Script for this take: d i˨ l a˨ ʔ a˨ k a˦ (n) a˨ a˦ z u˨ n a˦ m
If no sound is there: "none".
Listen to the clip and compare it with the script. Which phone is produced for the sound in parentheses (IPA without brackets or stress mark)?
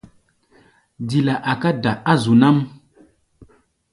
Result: d